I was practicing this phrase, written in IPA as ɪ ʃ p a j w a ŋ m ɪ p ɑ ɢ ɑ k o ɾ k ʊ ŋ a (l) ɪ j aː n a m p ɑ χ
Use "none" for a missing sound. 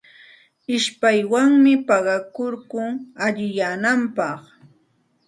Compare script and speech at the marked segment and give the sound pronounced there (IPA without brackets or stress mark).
ʎ